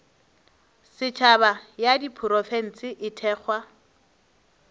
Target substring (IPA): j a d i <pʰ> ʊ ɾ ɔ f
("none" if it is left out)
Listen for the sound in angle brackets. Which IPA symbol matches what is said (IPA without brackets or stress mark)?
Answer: pʰ